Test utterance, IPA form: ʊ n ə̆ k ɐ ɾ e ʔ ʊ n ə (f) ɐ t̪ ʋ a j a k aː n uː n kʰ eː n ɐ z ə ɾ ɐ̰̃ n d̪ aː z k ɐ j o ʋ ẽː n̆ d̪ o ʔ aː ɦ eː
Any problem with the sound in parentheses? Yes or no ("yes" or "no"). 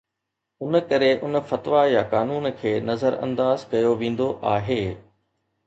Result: no